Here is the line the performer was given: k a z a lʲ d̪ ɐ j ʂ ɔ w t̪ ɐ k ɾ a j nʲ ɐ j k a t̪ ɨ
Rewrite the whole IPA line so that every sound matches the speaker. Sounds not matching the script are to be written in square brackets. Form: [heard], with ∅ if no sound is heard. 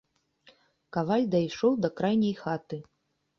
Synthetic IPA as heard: k a [v] a lʲ d̪ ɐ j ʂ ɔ w [d̪] ɐ k ɾ a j nʲ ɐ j [x] a t̪ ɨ